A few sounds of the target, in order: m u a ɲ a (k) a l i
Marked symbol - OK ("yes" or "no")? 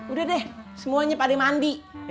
no